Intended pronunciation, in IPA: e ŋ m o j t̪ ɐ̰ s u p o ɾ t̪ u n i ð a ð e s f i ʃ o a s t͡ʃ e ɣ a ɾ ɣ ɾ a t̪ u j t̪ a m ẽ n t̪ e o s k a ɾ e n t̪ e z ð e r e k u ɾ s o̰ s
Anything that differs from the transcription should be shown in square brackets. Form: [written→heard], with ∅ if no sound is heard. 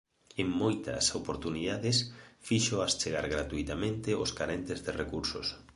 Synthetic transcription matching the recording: e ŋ m o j t̪ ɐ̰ s [u→o] p o ɾ t̪ u n i ð a ð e s f i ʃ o a s t͡ʃ e ɣ a ɾ ɣ ɾ a t̪ u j t̪ a m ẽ n t̪ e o s k a ɾ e n t̪ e z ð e r e k u ɾ s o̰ s